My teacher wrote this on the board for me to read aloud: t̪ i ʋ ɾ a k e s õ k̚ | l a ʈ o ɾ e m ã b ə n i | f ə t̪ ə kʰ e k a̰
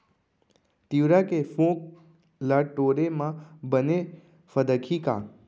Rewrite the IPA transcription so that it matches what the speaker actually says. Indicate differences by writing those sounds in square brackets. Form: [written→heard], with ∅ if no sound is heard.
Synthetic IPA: t̪ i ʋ ɾ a k e [s→f] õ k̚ | l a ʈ o ɾ e m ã b ə n [i→e] | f ə [t̪→d̪] ə kʰ [e→i] k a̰